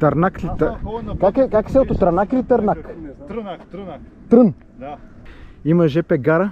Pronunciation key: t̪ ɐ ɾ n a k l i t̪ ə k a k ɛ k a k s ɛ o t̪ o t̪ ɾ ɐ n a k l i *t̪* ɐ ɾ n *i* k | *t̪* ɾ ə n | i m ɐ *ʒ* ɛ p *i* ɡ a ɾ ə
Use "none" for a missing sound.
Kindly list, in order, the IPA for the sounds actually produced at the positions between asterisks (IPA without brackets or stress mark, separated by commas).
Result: t̪, a, t̪, ʒ, ɛ